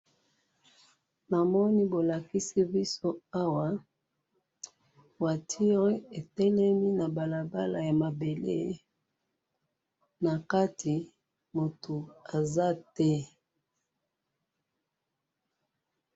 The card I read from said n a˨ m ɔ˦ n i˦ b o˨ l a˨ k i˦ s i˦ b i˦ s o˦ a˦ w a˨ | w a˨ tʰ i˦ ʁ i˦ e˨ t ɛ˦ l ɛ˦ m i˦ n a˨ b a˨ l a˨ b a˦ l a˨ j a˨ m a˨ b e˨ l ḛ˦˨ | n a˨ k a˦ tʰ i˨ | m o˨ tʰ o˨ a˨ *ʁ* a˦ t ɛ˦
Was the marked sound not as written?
yes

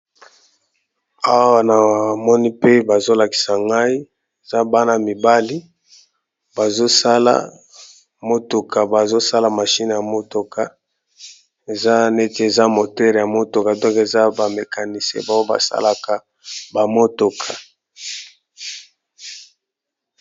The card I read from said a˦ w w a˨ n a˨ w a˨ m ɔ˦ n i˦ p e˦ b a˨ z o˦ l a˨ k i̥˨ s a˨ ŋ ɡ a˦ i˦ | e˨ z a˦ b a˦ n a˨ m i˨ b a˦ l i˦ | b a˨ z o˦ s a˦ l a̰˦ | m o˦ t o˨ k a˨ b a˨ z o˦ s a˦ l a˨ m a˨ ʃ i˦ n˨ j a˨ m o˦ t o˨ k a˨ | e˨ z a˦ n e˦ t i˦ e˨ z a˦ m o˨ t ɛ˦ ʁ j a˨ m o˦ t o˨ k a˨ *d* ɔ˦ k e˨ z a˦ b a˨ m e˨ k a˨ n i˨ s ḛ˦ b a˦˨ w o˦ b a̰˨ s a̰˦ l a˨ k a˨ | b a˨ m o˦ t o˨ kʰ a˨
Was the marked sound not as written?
no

